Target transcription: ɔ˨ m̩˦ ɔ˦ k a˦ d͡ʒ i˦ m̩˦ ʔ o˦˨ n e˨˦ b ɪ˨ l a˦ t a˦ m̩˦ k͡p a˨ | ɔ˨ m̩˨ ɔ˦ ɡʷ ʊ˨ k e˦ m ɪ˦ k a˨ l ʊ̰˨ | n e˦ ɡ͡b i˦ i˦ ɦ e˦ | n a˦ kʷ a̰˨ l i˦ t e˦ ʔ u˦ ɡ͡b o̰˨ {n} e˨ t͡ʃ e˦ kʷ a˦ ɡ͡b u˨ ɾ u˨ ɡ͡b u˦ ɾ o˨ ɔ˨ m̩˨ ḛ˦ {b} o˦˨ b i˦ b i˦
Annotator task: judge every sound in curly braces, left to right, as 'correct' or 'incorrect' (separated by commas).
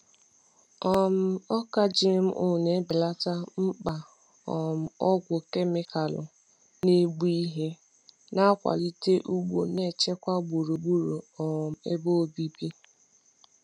correct, correct